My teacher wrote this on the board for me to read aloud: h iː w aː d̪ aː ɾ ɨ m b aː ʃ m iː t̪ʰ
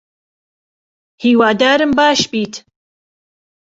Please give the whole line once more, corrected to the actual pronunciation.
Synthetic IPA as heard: h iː w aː d̪ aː ɾ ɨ m b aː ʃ b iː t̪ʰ